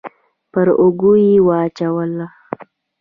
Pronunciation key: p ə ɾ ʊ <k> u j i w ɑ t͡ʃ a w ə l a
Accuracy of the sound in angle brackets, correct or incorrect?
incorrect